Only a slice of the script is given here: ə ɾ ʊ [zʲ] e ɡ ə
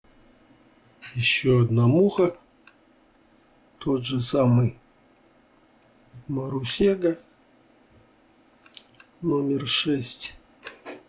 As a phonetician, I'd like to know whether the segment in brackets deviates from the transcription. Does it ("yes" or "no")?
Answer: yes